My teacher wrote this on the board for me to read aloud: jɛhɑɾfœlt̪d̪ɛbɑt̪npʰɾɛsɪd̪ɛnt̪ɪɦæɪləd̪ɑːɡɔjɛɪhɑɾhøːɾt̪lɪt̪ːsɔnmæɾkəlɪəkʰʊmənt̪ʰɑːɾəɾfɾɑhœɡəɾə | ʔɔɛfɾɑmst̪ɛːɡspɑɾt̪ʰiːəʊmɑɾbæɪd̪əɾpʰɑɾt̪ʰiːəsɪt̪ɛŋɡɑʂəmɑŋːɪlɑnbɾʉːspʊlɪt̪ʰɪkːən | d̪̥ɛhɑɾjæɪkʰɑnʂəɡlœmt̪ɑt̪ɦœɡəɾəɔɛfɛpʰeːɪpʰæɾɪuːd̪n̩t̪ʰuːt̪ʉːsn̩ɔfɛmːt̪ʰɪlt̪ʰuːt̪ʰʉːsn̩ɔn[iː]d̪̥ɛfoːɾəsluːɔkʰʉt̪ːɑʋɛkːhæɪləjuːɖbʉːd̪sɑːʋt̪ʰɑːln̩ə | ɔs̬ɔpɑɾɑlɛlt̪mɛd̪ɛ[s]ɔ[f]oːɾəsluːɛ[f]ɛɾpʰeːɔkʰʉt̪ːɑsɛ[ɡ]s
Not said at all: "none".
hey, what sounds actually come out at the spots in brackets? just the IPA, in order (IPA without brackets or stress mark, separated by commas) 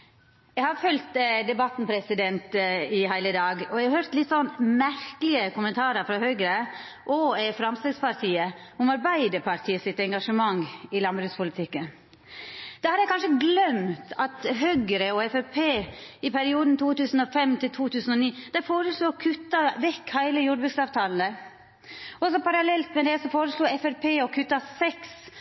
iː, s, f, f, k